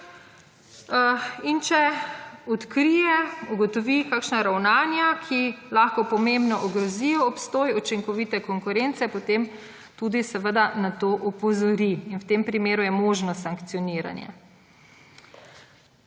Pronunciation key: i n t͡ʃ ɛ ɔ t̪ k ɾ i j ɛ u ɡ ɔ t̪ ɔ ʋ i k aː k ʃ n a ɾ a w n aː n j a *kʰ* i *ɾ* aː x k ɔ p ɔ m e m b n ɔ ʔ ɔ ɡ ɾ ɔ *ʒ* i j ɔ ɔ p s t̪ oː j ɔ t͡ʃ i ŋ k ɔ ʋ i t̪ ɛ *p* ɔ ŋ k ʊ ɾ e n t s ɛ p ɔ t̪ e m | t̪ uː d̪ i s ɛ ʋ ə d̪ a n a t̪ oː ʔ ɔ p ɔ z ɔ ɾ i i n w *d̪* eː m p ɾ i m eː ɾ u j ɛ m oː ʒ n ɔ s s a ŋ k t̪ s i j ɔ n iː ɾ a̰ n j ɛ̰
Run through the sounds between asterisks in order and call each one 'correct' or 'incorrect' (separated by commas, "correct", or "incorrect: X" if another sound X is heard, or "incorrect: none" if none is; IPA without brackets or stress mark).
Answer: correct, incorrect: l, incorrect: z, incorrect: k, incorrect: t̪